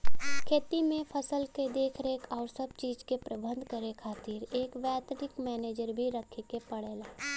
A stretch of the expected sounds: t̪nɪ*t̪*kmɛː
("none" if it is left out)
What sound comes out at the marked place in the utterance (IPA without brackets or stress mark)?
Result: none